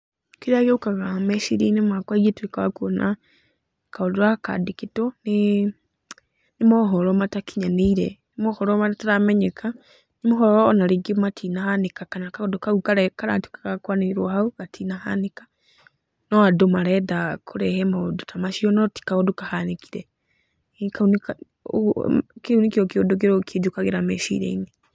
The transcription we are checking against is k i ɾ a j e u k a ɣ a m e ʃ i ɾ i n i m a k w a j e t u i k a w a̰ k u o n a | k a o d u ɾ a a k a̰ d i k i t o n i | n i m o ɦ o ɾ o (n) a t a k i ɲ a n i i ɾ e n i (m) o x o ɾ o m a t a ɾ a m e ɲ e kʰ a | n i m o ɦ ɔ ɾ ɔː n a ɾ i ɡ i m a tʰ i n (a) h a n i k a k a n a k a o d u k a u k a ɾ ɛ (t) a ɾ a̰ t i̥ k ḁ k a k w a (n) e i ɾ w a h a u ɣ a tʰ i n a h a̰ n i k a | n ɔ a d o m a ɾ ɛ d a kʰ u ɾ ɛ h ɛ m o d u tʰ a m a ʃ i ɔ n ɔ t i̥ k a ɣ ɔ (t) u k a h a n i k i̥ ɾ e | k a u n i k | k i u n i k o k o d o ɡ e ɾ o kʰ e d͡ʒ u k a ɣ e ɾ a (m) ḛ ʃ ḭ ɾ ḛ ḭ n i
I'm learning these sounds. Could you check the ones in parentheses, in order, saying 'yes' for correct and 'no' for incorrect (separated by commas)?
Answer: no, yes, yes, no, yes, no, yes